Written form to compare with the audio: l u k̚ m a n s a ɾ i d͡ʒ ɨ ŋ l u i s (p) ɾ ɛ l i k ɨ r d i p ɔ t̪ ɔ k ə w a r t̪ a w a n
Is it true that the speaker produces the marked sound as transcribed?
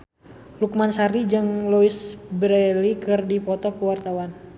no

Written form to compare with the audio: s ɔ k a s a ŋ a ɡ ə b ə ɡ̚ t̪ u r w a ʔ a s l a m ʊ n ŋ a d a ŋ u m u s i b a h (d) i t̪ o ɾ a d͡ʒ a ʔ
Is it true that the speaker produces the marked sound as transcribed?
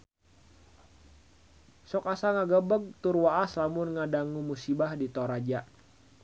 yes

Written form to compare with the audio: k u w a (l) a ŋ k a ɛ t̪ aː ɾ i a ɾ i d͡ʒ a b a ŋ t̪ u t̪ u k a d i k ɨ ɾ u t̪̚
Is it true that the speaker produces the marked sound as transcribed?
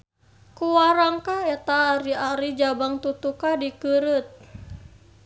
no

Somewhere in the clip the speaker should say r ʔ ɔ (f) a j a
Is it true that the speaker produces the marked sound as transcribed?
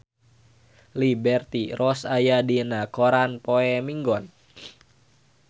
no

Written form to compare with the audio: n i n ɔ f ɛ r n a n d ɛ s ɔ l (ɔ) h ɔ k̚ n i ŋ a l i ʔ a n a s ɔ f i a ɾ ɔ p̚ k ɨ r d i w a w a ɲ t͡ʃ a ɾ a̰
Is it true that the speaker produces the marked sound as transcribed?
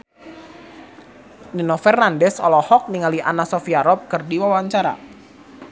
yes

